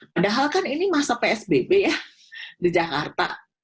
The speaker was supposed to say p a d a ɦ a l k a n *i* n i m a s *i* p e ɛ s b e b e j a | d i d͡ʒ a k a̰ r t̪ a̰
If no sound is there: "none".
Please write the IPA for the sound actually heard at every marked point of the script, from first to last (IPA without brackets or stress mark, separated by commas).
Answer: i, a